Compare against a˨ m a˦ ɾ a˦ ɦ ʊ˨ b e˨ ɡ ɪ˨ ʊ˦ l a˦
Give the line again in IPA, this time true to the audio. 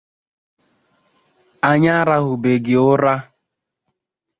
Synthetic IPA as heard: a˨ ɲ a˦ ɾ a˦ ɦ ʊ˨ b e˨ ɡ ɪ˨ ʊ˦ ɾ a˦